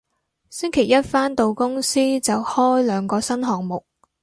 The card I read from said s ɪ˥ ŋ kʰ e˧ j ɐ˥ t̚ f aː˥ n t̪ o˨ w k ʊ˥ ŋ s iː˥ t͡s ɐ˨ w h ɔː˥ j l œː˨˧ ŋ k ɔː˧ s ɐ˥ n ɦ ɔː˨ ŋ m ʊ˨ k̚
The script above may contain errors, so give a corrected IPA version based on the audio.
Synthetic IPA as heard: s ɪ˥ ŋ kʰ e˨˩ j ɐ˥ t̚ f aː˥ n t̪ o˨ w k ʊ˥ ŋ s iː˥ t͡s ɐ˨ w h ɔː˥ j l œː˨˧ ŋ k ɔː˧ s ɐ˥ n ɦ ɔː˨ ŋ m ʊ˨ k̚

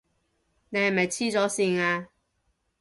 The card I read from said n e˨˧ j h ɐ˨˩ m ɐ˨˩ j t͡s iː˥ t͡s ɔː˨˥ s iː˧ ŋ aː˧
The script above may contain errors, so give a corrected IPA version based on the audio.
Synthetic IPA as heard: n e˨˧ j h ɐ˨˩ m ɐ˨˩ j t͡sʰ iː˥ t͡s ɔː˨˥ s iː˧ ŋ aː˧

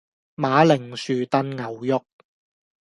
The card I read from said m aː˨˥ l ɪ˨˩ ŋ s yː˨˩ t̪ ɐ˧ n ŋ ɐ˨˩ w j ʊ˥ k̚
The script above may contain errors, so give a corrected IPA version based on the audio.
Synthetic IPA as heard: m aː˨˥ l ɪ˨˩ ŋ s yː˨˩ t̪ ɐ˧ n ŋ ɐ˨˩ w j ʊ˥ k̚

